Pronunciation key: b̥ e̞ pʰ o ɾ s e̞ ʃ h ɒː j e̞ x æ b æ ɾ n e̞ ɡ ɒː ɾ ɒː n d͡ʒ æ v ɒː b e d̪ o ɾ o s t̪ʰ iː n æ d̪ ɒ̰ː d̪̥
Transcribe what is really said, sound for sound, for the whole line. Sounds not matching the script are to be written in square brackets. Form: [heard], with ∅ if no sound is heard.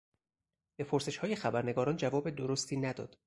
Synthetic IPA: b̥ e̞ pʰ o ɾ s e̞ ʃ h ɒː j e̞ x æ b æ ɾ n e̞ ɡ ɒː ɾ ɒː n d͡ʒ æ v ɒː b e d̪ o ɾ o s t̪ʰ iː n æ d̪ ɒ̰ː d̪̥